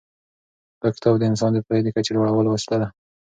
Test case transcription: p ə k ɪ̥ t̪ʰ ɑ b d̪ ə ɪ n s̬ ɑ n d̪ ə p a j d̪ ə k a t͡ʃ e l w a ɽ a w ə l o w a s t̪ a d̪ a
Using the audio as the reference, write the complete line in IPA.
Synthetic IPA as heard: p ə k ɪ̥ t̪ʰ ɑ b d̪ ə ɪ n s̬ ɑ n d̪ ə p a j d̪ ə k a t͡ʃ e l w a ɽ a w ə l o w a s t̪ a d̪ a